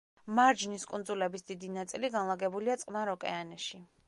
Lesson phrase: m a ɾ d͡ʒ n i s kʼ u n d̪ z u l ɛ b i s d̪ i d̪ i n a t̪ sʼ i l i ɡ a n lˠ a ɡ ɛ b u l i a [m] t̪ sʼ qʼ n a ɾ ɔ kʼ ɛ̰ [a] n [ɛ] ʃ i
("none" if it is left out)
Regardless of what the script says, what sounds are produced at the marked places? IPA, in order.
none, a, ɛ

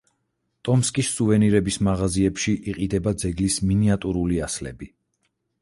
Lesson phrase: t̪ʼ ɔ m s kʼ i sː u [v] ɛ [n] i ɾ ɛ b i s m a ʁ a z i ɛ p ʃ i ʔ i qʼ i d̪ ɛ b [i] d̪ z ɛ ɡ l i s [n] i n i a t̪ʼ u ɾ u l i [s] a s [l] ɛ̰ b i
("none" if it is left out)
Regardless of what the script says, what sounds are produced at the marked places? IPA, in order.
v, n, a, m, none, l

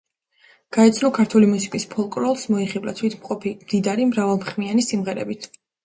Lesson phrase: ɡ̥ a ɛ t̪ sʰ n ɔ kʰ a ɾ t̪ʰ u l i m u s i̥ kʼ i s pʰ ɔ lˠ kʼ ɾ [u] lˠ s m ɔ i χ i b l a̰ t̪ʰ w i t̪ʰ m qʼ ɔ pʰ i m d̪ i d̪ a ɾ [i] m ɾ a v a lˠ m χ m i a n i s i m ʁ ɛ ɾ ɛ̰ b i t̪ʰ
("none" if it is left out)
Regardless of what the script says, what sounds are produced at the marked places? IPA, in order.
ɔ, i

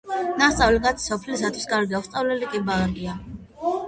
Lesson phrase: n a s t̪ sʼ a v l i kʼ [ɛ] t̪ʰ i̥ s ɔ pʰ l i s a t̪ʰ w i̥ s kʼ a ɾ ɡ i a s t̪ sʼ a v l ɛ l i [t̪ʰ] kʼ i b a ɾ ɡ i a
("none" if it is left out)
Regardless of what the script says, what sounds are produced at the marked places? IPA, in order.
a, none

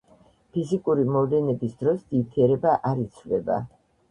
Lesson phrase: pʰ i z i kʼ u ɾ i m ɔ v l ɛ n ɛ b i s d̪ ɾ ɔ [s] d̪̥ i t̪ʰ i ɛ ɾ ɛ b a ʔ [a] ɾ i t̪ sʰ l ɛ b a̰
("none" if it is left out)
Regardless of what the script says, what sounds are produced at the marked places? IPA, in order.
s, a

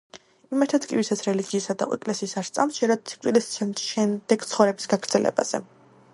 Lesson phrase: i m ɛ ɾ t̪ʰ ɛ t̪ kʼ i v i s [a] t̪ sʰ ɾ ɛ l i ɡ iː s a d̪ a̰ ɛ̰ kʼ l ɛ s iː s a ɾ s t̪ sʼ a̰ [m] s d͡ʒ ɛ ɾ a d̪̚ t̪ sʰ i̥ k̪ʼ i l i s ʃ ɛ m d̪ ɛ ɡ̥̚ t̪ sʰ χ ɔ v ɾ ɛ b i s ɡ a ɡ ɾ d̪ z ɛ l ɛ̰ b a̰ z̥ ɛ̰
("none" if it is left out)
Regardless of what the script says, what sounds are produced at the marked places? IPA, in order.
a, m

